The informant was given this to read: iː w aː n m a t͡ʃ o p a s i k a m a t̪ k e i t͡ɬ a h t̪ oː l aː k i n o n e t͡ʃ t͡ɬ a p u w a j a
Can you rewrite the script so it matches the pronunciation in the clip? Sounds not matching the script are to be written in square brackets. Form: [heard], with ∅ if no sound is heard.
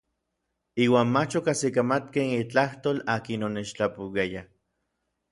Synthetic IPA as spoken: iː w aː n m a t͡ʃ o [k] a s i k a m a t̪ k e i t͡ɬ a h t̪ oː l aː k i n o n e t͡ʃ t͡ɬ a p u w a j a